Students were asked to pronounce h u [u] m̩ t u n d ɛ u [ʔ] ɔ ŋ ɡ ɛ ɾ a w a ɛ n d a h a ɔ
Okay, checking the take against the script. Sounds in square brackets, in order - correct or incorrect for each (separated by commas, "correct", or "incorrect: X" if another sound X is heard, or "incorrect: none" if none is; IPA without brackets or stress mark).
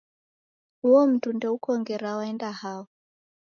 incorrect: ɔ, incorrect: k